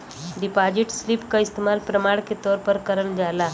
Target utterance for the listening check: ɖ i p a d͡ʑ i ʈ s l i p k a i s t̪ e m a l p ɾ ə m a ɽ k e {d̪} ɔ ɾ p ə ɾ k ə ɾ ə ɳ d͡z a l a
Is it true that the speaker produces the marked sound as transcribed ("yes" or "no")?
no